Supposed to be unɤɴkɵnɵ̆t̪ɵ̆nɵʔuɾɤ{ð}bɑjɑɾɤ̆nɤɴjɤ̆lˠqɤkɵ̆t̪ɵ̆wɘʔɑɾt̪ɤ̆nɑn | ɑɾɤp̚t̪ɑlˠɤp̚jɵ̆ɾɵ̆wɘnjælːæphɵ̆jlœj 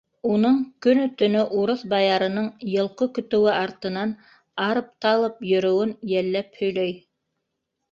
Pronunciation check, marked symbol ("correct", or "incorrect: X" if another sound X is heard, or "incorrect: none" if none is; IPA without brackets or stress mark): incorrect: θ